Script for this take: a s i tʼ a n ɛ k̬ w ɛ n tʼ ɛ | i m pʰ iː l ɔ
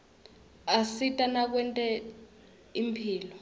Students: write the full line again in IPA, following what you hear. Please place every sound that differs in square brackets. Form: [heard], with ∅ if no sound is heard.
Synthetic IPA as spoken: a s i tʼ a n [a] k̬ w ɛ n tʼ ɛ | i m pʰ iː l ɔ